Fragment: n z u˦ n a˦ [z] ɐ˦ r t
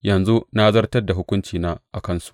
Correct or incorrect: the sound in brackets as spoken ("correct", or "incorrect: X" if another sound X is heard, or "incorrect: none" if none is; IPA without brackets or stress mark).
correct